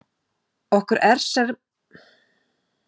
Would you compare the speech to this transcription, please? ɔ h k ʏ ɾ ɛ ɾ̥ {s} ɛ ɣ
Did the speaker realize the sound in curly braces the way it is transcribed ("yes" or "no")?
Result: yes